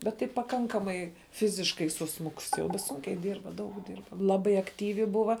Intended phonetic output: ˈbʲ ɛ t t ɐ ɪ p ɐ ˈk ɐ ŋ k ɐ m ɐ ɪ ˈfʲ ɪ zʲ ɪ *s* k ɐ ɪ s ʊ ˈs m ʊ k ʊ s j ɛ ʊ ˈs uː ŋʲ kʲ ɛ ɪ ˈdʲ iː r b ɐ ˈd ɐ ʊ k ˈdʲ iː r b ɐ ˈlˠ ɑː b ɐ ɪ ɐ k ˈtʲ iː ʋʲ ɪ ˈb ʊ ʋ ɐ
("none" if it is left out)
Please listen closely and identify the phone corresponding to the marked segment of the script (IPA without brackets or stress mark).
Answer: ʃ